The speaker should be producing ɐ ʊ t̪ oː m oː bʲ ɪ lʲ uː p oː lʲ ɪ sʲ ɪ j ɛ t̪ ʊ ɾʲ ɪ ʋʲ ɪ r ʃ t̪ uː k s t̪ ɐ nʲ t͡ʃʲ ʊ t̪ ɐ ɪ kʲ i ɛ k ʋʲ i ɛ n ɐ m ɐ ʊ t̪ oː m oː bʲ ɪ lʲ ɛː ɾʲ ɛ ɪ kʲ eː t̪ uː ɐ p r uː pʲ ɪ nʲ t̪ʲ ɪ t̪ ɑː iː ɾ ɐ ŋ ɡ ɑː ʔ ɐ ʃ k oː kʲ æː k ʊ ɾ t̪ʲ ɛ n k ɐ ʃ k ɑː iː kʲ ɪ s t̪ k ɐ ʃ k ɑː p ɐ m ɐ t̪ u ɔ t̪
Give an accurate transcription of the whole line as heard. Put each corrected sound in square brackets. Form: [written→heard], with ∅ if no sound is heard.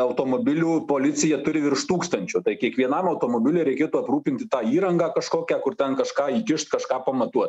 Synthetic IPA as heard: ɐ ʊ t̪ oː m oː bʲ ɪ lʲ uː p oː lʲ ɪ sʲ ɪ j ɛ t̪ ʊ ɾʲ ɪ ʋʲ ɪ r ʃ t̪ uː k s t̪ ɐ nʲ t͡ʃʲ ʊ t̪ ɐ ɪ kʲ i ɛ k ʋʲ i ɛ n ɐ m ɐ ʊ t̪ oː m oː bʲ ɪ lʲ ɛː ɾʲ ɛ ɪ kʲ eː t̪ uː ɐ p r uː pʲ ɪ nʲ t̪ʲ ɪ t̪ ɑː iː ɾ ɐ ŋ ɡ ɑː [ʔ→k] ɐ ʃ k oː kʲ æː k ʊ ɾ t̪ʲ ɛ n k ɐ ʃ k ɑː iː kʲ ɪ [s→ʃ] t̪ k ɐ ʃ k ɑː p ɐ m ɐ t̪ u ɔ t̪